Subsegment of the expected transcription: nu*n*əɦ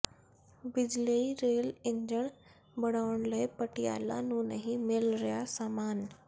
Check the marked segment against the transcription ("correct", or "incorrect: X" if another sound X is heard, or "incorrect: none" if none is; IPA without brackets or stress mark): correct